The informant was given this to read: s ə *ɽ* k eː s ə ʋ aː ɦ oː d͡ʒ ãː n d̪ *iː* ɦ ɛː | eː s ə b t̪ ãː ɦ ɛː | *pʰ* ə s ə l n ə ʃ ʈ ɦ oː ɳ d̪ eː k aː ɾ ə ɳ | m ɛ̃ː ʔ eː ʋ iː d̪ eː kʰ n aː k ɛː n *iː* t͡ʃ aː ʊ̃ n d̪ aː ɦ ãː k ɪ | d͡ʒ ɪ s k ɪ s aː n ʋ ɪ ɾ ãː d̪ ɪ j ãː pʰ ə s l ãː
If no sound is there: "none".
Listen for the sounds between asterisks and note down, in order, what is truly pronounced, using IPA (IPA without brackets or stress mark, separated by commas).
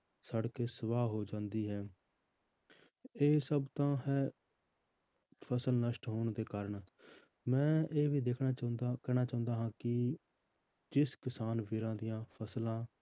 ɽ, iː, pʰ, aː